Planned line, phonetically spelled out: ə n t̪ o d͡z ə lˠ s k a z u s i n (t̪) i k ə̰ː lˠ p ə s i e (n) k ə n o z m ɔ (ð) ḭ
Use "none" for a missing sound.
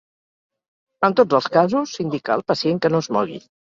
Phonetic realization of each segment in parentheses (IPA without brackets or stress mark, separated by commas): d̪, ŋ, ɣ